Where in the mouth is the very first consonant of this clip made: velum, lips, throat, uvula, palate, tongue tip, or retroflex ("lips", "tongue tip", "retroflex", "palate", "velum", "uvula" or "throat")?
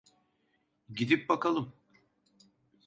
palate